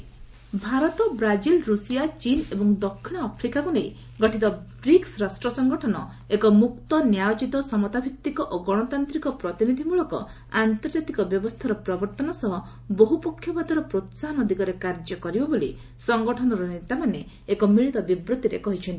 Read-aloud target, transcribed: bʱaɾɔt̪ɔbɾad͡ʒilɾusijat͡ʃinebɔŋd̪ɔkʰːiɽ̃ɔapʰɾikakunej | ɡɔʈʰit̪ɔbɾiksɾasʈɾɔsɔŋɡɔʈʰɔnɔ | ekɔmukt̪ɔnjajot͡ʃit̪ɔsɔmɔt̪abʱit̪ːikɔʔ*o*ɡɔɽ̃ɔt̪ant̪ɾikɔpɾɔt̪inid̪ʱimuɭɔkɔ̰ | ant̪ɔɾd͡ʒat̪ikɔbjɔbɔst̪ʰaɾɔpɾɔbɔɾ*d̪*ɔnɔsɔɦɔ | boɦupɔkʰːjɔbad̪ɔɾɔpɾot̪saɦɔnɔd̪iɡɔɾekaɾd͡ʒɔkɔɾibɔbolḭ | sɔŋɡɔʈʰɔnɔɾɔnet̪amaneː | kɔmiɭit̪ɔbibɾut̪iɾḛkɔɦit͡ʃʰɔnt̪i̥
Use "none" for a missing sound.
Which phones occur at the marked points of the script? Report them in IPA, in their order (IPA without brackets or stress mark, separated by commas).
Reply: o, t̪